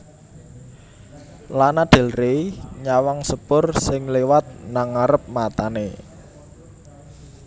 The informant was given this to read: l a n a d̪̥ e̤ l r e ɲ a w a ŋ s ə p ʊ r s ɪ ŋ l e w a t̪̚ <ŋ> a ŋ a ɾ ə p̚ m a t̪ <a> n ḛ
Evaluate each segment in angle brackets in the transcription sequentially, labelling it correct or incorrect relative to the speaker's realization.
incorrect: n, correct

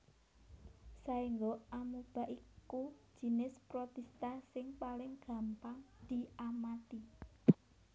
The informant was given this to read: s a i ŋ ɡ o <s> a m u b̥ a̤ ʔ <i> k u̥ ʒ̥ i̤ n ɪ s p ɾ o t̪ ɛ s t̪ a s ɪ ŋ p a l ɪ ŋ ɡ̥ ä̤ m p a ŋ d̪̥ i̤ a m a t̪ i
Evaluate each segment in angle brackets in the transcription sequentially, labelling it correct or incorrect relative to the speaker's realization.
incorrect: none, correct

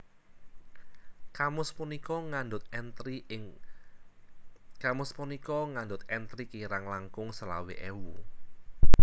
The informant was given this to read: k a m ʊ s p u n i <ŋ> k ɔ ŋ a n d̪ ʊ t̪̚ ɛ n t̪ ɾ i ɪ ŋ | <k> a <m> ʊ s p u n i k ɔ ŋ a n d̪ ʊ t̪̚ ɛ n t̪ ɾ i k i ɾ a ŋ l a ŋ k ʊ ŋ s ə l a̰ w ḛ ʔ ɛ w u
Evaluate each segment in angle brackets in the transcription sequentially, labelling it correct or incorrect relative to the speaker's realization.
incorrect: none, correct, correct

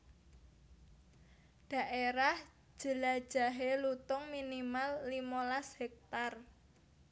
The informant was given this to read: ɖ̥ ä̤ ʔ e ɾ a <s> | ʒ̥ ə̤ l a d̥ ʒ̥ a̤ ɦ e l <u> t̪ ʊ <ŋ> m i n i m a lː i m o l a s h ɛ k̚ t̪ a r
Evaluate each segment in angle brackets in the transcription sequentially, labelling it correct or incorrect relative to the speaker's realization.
incorrect: h, correct, correct

